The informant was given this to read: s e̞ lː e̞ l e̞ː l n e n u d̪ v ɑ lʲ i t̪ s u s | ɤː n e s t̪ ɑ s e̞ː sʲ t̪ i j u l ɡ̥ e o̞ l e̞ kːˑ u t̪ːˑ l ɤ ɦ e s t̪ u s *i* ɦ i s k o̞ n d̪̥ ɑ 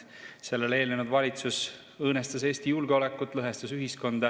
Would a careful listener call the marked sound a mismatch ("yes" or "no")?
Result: yes